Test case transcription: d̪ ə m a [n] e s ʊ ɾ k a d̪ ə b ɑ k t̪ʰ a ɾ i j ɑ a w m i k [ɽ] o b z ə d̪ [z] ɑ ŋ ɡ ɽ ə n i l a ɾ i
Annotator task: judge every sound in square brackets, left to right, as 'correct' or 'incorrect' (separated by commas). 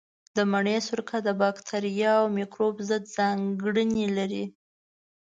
incorrect, incorrect, correct